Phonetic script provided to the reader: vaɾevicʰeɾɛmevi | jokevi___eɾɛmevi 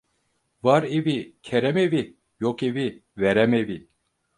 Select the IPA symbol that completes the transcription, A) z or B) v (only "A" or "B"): B